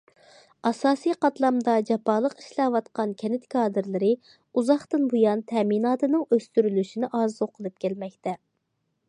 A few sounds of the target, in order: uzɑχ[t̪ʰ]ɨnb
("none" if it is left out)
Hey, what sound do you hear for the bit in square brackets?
t̪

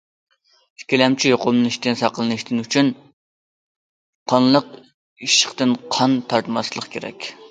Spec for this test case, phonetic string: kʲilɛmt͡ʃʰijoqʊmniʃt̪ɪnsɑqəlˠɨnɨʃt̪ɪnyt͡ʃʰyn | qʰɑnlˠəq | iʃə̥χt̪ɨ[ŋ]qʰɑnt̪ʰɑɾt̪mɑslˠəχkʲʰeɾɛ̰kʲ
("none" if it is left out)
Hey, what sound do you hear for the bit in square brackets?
n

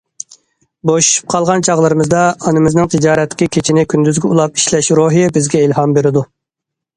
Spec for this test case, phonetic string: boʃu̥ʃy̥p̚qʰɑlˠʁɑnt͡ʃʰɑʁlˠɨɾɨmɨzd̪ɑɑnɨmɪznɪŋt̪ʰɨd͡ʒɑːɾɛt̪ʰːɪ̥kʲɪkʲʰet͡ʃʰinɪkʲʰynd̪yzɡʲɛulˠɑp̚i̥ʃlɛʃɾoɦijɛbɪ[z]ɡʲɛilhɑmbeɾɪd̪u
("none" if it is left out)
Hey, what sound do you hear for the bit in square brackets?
z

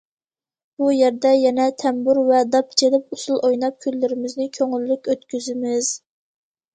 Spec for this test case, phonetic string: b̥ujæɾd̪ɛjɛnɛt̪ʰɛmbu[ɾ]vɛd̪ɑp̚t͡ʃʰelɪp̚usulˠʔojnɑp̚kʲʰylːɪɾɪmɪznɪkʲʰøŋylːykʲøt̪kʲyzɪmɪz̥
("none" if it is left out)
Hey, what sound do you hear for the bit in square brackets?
ɾ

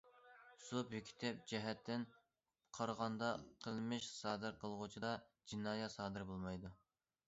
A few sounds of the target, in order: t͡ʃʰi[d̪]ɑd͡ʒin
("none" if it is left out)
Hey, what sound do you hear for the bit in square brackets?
d̪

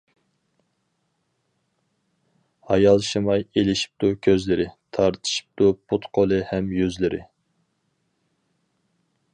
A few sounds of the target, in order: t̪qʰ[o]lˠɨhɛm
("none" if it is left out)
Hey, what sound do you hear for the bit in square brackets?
o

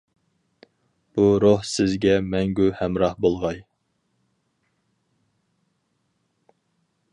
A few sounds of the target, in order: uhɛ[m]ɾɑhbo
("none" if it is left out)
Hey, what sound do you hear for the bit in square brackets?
m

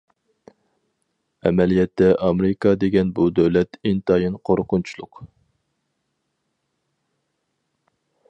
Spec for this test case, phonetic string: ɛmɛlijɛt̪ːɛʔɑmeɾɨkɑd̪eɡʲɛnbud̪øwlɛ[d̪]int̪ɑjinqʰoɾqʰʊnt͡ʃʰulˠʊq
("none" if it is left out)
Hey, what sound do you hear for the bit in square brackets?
t̪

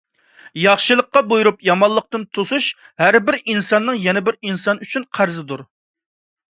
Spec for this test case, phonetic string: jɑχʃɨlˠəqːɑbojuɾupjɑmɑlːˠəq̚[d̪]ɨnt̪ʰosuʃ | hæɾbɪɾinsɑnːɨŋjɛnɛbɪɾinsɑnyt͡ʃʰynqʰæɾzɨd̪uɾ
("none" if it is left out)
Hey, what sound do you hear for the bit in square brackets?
t̪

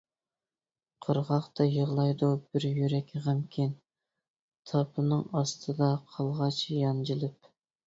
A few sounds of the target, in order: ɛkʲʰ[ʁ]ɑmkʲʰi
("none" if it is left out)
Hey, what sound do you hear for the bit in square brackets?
ʁ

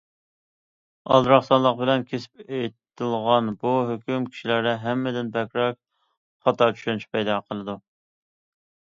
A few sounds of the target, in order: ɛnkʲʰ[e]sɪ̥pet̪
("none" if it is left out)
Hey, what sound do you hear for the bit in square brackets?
e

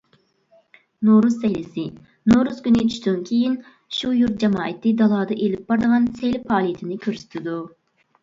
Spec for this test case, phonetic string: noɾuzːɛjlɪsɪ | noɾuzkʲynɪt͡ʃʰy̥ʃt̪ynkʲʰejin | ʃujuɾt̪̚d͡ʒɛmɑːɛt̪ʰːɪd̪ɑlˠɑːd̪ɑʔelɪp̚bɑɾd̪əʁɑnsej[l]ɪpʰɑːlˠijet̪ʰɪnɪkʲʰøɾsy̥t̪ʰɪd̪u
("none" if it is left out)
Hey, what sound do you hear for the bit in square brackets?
l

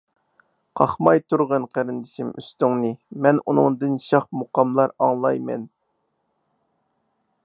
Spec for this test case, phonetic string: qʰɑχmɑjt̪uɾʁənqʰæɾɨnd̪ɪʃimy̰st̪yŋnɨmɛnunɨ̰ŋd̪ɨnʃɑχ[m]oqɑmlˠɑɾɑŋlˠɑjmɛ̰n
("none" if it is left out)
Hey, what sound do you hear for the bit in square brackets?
m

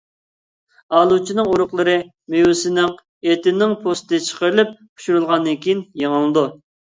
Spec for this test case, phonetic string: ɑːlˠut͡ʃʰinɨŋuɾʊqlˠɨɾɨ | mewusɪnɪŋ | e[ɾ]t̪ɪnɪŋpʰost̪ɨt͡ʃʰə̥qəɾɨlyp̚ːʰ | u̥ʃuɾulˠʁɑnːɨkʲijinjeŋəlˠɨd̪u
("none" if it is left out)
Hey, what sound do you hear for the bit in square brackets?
none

